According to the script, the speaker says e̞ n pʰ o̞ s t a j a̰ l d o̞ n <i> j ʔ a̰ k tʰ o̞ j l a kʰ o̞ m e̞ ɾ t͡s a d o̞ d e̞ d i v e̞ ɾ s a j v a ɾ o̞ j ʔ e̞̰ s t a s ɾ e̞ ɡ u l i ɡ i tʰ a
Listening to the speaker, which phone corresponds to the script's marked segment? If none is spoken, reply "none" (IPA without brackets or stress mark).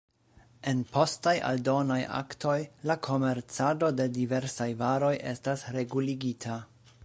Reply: a